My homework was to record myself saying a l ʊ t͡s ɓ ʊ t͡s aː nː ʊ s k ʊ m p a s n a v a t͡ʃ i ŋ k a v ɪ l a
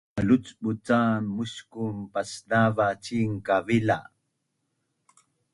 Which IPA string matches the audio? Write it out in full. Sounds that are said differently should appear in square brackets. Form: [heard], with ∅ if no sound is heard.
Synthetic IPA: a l ʊ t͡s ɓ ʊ t͡s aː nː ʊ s k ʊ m p a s n a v a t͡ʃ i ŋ k a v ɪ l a